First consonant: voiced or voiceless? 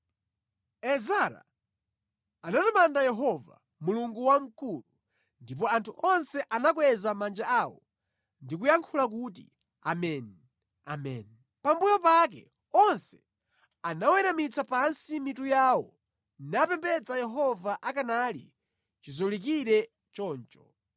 voiced